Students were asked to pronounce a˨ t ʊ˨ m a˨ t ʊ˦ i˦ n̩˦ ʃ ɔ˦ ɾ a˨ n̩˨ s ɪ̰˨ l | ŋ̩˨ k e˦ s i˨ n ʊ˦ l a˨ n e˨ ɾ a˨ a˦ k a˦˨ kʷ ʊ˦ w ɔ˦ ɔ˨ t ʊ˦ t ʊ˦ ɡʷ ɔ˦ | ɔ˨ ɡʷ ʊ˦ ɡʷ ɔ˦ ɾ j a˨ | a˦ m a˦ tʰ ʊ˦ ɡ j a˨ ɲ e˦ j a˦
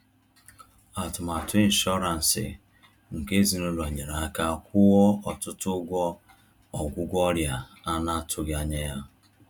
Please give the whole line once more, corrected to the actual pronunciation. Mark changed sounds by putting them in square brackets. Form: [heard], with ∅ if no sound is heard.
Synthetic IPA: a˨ t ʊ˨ m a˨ t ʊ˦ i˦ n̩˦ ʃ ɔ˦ ɾ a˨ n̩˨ s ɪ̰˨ [∅] | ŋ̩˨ k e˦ [z] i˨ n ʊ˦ l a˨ [ɲ] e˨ ɾ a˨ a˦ k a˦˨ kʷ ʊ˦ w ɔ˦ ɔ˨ t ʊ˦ t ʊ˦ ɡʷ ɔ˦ | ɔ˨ ɡʷ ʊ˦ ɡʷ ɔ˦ ɾ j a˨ | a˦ [n] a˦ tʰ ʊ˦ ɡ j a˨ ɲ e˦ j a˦